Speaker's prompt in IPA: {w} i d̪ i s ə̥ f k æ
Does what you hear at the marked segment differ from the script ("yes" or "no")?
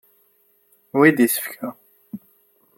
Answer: no